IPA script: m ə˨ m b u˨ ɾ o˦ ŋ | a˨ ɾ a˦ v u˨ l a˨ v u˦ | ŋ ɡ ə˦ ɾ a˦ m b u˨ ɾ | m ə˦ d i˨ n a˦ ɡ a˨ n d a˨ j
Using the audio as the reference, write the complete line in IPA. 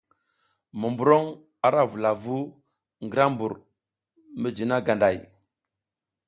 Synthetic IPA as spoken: m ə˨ m b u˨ ɾ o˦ ŋ | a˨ ɾ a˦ v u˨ l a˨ v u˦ | ŋ ɡ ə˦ ɾ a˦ m b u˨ ɾ | m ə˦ d͡ʒ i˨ n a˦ ɡ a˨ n d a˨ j